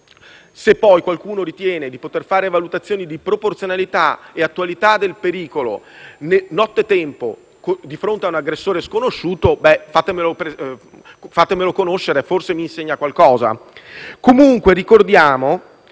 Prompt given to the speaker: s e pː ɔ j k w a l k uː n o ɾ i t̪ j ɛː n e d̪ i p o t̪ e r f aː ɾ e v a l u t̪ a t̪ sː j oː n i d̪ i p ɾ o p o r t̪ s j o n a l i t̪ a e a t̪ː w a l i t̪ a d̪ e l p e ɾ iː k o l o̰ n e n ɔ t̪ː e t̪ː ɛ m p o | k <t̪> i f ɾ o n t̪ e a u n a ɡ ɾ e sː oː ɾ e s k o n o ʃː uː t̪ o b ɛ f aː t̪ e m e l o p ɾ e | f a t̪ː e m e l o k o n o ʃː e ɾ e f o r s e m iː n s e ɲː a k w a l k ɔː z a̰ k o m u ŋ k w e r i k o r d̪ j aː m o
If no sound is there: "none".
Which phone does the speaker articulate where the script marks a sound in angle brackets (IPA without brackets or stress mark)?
d̪